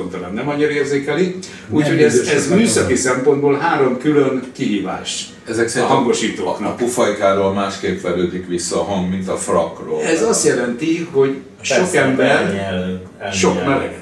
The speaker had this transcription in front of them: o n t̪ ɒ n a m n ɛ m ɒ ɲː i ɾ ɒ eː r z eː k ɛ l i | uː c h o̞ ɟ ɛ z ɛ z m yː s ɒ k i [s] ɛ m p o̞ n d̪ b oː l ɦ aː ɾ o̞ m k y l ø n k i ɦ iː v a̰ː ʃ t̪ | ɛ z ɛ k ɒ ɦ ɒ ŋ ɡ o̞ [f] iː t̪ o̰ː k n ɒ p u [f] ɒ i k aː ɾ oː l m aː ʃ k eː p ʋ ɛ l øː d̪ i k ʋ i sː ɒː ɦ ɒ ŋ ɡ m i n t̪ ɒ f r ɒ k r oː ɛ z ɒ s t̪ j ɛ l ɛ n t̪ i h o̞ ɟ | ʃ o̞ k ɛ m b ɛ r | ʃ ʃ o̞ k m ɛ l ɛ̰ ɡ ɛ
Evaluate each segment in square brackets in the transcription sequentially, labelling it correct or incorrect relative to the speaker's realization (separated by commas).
correct, incorrect, correct